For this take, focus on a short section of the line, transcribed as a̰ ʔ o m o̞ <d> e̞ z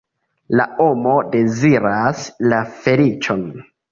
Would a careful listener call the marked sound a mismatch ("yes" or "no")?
no